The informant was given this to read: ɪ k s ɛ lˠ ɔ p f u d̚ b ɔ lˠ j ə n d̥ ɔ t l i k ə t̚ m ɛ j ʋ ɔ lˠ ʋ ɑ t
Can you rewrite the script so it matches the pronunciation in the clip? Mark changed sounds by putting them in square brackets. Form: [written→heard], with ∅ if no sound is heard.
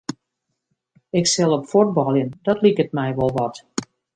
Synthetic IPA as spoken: ɪ k s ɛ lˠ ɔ p f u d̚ b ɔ lˠ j ə n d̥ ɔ t l i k ə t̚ m ɛ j ʋ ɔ lˠ ʋ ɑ t